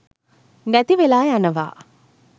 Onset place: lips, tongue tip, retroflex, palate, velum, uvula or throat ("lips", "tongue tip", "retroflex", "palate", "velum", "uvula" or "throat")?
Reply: tongue tip